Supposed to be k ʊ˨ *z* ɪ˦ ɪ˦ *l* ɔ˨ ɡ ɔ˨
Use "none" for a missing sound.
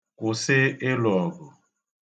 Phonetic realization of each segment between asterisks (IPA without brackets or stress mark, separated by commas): s, l